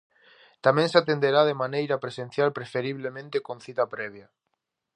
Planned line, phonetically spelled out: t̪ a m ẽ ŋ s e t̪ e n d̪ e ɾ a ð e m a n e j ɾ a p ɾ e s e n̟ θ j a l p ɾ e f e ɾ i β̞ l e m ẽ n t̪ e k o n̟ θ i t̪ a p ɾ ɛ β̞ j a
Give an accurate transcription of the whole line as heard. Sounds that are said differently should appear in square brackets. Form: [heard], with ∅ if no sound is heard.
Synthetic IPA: t̪ a m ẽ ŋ s [a] t̪ e n d̪ e ɾ a ð e m a n e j ɾ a p ɾ e s e n̟ θ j a l p ɾ e f e ɾ i β̞ l e m ẽ n t̪ e k o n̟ θ i t̪ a p ɾ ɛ β̞ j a

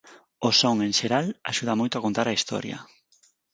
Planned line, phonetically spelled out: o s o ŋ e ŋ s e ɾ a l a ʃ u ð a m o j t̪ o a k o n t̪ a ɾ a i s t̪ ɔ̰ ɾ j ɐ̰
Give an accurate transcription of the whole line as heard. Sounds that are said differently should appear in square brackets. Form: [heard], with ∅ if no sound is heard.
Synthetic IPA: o s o ŋ e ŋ [ʃ] e ɾ a l a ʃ u ð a m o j t̪ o a k o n t̪ a ɾ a i s t̪ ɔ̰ ɾ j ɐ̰

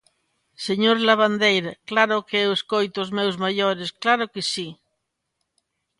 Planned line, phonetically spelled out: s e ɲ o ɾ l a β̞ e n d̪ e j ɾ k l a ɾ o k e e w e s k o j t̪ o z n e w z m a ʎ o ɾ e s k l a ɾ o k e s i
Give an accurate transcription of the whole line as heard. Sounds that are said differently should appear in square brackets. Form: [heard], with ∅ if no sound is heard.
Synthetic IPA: s e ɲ o ɾ l a β̞ [a] n d̪ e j ɾ k l a ɾ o k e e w e s k o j t̪ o z [m] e w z m a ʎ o ɾ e s k l a ɾ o k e s i

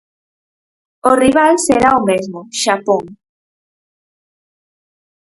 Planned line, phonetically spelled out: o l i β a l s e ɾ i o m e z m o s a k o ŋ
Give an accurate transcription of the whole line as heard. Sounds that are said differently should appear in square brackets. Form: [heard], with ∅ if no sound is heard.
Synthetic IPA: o [r] i β a l s e ɾ [a] o m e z m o [ʃ] a [p] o ŋ

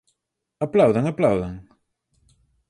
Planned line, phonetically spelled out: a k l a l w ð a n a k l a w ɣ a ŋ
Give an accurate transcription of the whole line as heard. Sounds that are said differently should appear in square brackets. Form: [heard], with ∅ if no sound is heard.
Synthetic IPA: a [p] l a [∅] w ð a [ŋ] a [p] l a w [ð] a ŋ

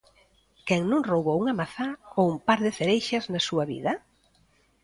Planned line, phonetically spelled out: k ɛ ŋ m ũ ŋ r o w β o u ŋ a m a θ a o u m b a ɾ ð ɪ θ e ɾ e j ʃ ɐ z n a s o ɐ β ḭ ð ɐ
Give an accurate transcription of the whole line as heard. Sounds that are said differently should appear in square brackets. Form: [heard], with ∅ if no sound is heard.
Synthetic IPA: k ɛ ŋ [n] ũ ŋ r o w β o u ŋ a m a θ a o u m [p] a ɾ ð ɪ θ e ɾ e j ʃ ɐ z n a s [u] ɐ β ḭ ð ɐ

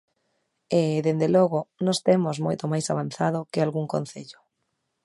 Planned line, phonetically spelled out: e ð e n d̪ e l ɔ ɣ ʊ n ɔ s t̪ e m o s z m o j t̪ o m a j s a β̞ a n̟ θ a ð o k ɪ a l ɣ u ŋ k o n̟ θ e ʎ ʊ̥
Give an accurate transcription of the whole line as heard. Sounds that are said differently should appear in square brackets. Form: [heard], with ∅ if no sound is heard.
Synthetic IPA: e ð e n d̪ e l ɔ ɣ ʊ n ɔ s t̪ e m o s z m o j t̪ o m a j s a β̞ a n̟ θ a ð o k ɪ a l ɣ u ŋ k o n̟ θ e ʎ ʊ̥

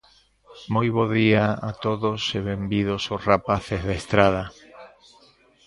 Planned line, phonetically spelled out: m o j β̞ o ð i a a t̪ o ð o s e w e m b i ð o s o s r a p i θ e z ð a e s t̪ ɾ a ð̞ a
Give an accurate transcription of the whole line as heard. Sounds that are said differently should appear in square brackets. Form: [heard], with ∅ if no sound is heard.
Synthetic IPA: m o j β̞ o ð i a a t̪ o ð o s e [β] e m b i ð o s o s r a p [a] θ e z ð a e s t̪ ɾ a ð̞ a

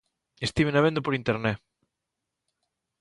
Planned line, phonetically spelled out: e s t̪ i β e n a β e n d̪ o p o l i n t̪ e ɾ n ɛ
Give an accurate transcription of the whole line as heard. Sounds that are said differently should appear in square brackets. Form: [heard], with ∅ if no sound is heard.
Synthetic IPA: e s t̪ i β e n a β e n d̪ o p o [ɾ] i n t̪ e ɾ n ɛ

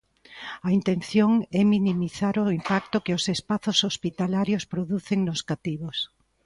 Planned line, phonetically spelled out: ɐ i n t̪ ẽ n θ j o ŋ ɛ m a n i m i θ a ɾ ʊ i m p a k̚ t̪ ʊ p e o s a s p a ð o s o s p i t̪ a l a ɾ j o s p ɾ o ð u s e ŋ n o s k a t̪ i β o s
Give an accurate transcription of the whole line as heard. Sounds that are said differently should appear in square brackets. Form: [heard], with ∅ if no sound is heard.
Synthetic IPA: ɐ i n t̪ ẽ n θ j o ŋ ɛ m [i] n i m i θ a ɾ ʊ i m p a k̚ t̪ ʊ [k] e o s [e] s p a [θ] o s o s p i t̪ a l a ɾ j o s p ɾ o ð u [θ] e ŋ n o s k a t̪ i β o s

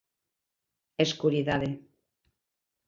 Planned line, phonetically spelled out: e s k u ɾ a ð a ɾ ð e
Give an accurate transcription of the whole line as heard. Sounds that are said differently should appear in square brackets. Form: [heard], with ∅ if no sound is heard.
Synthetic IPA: e s k u ɾ [i] ð a [∅] ð e

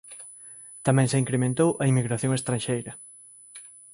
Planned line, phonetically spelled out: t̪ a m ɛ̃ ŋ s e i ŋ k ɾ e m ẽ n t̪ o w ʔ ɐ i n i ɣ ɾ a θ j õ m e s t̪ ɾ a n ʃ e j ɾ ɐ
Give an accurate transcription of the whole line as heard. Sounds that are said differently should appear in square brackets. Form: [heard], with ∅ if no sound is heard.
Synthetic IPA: t̪ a m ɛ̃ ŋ s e i ŋ k ɾ e m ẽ n t̪ o w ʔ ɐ i [m] i ɣ ɾ a θ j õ [ŋ] e s t̪ ɾ a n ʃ e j ɾ ɐ

